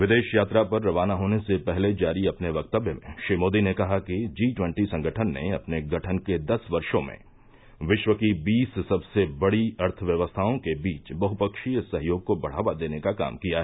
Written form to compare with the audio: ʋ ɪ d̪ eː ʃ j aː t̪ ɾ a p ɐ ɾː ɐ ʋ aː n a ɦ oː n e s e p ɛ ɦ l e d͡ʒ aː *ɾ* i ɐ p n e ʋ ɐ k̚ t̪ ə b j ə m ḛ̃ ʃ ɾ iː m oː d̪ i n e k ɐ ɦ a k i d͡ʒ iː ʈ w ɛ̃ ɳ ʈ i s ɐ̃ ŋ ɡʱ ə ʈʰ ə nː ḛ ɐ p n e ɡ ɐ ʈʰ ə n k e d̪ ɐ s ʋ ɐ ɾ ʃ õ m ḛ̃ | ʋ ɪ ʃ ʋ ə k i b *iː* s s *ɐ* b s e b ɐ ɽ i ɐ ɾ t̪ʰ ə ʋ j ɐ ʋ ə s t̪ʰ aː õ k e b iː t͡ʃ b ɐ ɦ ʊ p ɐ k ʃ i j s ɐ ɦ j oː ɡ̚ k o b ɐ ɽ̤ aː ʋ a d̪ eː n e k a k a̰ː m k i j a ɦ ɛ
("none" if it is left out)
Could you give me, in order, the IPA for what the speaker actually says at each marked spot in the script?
ɾ, iː, ɐ

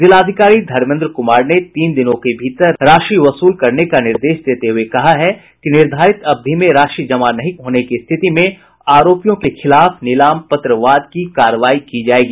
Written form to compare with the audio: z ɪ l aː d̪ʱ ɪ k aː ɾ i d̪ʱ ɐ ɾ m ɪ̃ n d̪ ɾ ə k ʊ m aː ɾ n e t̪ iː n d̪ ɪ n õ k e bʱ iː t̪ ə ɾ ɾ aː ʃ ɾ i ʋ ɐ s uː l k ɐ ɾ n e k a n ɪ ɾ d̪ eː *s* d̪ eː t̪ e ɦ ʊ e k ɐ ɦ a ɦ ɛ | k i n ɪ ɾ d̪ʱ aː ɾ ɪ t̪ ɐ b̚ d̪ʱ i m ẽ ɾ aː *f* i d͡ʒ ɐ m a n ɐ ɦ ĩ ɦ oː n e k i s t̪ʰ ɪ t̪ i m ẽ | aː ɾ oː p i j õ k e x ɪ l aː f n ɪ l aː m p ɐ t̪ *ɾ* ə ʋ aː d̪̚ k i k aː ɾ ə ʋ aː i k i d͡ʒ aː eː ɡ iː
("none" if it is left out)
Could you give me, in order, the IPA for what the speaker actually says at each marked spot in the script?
ʃ, ʃ, ɾ

